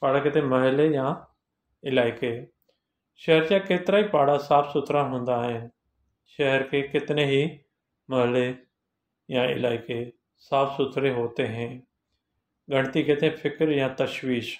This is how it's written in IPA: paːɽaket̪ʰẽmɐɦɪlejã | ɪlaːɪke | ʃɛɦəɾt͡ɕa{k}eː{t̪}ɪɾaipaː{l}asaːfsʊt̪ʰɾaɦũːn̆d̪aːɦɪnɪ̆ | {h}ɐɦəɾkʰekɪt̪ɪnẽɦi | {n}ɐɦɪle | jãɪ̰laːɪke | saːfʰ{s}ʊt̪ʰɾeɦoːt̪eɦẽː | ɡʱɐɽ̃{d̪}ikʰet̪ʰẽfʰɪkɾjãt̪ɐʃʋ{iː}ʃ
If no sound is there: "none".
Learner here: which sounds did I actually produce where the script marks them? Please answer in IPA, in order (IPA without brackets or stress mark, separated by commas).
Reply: k, t̪, ɽ, ʃ, m, s, t̪, iː